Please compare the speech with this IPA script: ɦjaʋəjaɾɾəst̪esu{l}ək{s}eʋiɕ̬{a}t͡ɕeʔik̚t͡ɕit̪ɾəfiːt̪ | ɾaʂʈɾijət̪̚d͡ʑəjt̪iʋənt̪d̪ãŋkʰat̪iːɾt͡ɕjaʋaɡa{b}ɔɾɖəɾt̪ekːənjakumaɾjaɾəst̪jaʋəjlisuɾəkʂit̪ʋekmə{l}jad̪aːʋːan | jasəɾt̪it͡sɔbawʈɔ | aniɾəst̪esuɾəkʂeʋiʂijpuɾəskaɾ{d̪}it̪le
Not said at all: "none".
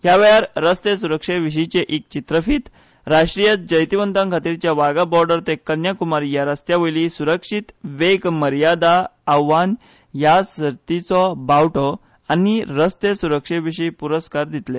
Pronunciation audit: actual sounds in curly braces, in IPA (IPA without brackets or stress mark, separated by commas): ɾ, ʂ, i, b, ɾ, d̪